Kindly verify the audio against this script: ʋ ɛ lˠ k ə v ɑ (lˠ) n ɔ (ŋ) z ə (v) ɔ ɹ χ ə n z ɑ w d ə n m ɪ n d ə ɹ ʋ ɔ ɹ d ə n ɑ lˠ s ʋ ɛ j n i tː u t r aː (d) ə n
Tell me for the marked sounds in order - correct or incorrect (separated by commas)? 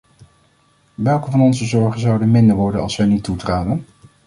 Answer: incorrect, incorrect, incorrect, correct